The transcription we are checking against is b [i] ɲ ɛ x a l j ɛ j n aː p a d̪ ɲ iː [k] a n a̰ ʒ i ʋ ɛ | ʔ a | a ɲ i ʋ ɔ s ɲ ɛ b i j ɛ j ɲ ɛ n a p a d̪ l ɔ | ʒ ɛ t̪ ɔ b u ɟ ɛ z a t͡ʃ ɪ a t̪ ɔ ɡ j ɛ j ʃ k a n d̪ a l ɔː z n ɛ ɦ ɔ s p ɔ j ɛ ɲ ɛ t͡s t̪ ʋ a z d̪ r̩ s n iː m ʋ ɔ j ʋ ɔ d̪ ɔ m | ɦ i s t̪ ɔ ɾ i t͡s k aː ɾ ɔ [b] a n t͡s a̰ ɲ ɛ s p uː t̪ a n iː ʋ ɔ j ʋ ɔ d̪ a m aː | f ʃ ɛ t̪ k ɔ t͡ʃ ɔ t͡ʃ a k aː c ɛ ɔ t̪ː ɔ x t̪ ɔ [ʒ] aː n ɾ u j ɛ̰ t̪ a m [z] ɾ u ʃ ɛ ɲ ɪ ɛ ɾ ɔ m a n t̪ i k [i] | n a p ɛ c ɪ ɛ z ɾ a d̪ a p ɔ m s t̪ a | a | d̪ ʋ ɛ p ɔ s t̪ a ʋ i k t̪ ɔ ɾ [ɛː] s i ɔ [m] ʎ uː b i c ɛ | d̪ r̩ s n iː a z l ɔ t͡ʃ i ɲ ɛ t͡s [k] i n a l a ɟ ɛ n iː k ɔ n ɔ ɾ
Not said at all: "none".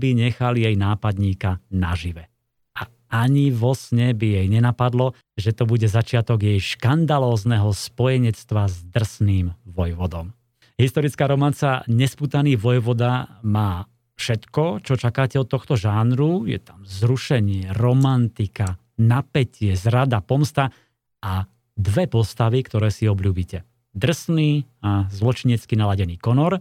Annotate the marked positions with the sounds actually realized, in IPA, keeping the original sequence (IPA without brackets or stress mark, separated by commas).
i, k, m, ʒ, z, a, ɛː, b, k